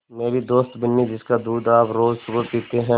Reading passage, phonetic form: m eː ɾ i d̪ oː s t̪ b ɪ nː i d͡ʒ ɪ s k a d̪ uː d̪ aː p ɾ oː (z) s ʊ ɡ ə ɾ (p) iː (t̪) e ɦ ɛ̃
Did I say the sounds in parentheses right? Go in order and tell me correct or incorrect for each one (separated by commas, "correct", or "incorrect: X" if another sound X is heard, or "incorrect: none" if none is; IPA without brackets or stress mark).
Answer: correct, correct, correct